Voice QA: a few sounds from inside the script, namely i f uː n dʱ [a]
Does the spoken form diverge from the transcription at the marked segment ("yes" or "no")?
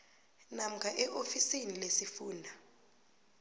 no